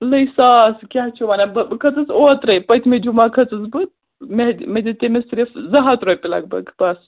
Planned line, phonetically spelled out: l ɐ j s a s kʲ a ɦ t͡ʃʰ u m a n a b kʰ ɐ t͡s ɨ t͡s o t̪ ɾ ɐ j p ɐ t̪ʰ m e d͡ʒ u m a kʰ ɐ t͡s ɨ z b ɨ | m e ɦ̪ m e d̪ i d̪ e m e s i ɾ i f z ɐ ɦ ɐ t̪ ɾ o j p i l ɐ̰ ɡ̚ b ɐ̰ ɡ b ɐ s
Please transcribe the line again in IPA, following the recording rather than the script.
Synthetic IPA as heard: l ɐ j s a s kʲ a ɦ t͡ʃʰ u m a n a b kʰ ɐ t͡s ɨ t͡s o t̪ ɾ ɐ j p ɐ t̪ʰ m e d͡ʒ u m a kʰ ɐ t͡s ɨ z b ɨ | m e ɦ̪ m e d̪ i t̪ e m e s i ɾ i f z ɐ ɦ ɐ t̪ ɾ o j p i l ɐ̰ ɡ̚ b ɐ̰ ɡ b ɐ s